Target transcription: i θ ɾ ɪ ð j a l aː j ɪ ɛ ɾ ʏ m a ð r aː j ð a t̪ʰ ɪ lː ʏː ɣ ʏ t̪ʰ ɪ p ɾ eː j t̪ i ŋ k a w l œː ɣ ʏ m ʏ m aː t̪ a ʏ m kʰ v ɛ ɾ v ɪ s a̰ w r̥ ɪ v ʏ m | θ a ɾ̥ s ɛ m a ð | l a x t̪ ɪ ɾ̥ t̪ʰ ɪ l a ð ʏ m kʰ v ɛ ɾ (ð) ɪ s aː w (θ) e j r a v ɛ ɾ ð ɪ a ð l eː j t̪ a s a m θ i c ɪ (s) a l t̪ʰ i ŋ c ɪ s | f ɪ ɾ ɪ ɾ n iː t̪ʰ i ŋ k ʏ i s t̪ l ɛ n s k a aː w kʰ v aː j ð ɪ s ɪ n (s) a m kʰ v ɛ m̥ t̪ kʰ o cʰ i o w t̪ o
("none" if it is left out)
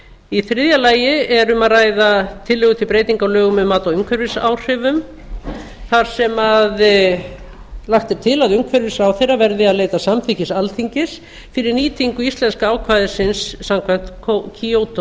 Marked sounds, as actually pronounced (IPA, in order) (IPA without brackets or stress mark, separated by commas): v, θ, s, sː